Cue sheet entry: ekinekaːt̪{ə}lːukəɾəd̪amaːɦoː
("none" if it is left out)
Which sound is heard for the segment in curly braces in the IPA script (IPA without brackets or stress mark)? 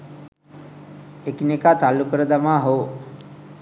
a